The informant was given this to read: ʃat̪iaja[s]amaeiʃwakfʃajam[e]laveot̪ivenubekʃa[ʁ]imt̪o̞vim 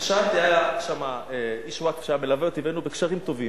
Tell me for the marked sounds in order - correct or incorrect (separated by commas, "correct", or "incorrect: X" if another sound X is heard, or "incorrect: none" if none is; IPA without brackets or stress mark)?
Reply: incorrect: ʃ, correct, correct